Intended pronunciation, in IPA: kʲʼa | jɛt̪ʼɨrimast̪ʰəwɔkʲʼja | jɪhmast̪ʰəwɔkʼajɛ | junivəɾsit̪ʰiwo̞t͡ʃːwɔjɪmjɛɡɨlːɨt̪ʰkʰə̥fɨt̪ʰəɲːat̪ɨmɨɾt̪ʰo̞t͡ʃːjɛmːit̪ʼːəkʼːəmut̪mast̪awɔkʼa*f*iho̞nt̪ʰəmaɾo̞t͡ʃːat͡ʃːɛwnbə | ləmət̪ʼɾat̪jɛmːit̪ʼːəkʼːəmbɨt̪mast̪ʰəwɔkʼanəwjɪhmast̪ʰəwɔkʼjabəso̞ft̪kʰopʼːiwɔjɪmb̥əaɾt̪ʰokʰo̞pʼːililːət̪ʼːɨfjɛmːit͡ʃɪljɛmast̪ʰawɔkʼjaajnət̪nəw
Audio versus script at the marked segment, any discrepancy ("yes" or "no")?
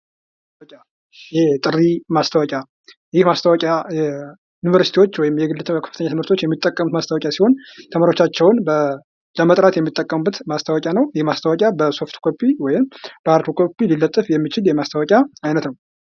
yes